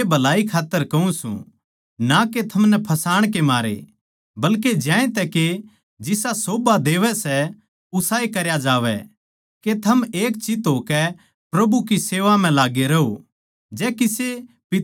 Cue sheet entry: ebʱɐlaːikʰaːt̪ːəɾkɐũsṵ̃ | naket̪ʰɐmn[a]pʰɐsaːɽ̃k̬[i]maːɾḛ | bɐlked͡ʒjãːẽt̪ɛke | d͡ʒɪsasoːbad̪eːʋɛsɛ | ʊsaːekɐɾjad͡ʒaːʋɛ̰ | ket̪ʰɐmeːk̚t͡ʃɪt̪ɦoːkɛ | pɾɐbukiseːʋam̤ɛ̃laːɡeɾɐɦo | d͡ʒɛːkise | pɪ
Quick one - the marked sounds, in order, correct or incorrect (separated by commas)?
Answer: incorrect, incorrect